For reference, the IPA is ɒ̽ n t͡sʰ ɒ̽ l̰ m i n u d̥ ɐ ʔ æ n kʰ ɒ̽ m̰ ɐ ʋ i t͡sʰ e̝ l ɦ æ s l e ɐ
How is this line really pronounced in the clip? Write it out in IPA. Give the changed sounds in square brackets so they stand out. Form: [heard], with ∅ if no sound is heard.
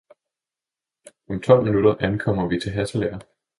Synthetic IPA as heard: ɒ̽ [m] t͡sʰ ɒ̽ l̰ m i n u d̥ ɐ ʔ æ n kʰ ɒ̽ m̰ ɐ ʋ i t͡sʰ e̝ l ɦ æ s l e ɐ